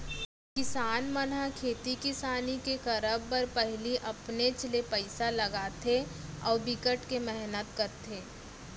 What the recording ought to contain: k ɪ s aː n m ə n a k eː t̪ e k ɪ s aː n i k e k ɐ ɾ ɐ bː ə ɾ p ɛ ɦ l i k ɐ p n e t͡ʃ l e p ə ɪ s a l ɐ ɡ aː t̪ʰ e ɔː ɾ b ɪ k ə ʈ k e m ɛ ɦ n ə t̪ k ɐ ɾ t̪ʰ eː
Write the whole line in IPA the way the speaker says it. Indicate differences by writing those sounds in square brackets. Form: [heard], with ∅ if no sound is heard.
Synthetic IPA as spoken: k ɪ s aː n m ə n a [kʰ] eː t̪ [i] k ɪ s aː n i k e k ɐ ɾ [ə] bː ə ɾ p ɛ ɦ l i [ʔ] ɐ p n e t͡ʃ l e p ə ɪ s a l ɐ ɡ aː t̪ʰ e ɔː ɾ b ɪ k ə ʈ k e m ɛ ɦ n ə t̪ k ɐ ɾ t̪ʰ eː